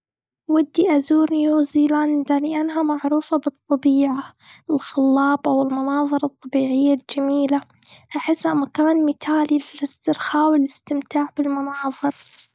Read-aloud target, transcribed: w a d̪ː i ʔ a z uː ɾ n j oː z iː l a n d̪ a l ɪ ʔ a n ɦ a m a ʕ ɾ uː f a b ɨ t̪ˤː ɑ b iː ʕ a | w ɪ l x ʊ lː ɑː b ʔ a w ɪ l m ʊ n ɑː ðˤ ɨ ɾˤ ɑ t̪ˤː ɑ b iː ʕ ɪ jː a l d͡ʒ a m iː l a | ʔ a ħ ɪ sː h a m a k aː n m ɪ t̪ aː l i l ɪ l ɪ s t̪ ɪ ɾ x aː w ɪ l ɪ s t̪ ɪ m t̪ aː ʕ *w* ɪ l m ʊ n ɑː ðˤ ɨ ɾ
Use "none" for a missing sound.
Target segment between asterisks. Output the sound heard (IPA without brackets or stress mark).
b